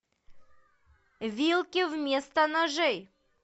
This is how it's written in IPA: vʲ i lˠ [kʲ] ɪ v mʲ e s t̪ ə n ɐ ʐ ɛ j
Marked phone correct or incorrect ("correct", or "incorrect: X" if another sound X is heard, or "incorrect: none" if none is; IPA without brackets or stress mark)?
correct